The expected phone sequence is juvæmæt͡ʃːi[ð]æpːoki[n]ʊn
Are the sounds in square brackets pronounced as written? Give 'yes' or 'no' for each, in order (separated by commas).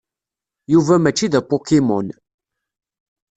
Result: yes, no